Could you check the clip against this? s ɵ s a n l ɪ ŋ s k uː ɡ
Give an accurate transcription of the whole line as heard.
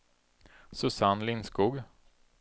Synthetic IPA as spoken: s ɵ s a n l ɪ n s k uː ɡ